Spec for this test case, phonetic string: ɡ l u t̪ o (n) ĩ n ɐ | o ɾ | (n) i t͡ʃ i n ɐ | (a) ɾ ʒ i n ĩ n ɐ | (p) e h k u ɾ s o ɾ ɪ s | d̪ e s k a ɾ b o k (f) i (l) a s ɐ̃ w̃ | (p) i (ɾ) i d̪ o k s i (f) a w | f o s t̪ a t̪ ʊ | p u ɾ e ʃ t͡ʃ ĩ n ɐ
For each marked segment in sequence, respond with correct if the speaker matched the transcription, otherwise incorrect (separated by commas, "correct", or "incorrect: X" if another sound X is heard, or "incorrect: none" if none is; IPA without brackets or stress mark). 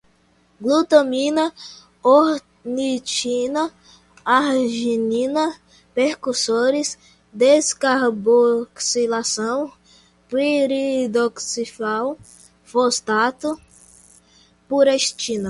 incorrect: m, correct, correct, correct, incorrect: s, correct, correct, correct, correct